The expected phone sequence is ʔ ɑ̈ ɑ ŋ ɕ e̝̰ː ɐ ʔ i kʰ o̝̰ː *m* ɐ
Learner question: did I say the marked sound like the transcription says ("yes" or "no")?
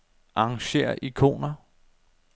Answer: no